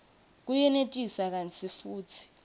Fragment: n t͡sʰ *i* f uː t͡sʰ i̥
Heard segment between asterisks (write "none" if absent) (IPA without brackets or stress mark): i